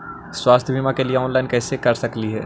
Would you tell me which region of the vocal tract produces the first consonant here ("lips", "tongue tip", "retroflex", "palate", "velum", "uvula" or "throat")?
tongue tip